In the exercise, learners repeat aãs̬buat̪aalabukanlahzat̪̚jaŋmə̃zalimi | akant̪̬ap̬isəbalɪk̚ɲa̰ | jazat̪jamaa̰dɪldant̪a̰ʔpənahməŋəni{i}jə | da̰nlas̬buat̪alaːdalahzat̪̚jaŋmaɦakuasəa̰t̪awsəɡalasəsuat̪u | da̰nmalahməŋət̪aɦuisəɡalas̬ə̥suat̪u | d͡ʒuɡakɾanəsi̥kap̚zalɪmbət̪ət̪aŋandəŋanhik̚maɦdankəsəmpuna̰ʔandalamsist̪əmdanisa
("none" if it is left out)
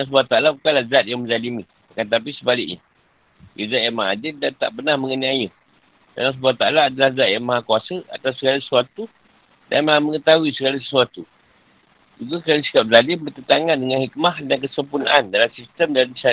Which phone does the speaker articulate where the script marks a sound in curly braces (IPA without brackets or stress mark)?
a